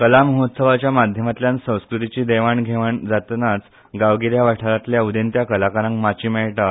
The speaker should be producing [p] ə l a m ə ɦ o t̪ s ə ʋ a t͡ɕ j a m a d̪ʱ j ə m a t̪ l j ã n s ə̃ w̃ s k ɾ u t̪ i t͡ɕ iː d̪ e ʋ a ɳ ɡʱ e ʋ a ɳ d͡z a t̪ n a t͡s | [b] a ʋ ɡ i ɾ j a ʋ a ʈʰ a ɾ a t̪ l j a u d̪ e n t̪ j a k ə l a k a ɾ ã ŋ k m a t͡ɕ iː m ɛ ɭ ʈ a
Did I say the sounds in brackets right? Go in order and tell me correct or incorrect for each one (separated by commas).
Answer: incorrect, incorrect